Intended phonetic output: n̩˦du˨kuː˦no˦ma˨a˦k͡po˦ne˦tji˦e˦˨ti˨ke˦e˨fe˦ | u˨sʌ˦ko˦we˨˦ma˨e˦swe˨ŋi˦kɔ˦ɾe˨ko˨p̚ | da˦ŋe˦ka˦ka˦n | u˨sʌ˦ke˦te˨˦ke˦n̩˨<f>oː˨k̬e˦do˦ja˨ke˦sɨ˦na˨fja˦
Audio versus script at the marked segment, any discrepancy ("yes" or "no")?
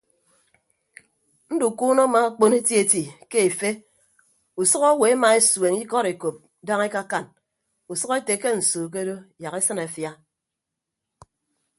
yes